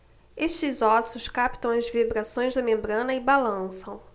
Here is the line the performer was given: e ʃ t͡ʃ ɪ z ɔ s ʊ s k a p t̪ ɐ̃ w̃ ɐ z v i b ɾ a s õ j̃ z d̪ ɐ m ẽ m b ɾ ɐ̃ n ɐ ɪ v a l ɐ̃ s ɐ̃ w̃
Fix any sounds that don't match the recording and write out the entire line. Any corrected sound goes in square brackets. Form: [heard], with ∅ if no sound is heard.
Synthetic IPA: e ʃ t͡ʃ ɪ z ɔ s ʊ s k a p t̪ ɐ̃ w̃ ɐ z v i b ɾ a s õ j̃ z d̪ ɐ m ẽ m b ɾ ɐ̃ n ɐ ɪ [b] a l ɐ̃ s ɐ̃ w̃